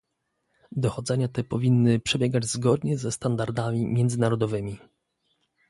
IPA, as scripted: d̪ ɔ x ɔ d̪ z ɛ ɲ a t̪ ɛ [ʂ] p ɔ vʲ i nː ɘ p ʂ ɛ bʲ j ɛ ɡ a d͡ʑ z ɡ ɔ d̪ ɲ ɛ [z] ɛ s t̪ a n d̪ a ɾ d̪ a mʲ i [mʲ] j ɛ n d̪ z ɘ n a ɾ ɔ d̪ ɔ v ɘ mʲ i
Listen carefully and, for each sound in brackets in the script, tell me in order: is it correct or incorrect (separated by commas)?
incorrect, correct, correct